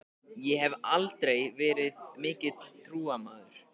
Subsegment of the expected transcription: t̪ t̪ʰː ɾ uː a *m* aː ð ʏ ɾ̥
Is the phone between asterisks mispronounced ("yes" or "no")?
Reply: no